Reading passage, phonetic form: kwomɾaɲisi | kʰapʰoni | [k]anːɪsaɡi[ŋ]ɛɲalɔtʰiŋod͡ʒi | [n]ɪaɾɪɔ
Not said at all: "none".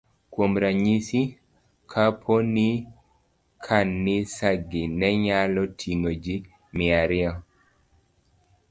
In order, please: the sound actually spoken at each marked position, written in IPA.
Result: kʰ, n, m

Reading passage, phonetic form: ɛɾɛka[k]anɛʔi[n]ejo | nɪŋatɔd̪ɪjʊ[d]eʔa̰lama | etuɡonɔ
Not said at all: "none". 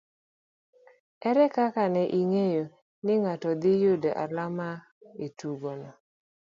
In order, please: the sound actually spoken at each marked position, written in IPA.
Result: k, ŋ, d

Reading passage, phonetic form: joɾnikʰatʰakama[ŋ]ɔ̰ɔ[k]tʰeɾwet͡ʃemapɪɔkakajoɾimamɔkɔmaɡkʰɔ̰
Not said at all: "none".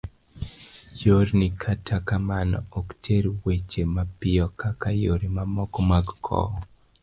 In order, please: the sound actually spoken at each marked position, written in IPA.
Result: n, k

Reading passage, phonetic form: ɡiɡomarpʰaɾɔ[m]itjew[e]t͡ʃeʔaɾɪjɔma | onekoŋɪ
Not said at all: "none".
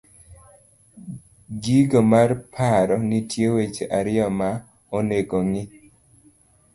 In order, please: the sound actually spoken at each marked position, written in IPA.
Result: n, e

